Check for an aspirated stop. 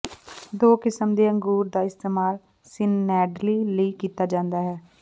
absent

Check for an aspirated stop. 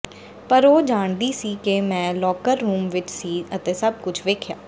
present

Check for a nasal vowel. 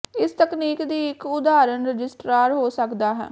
absent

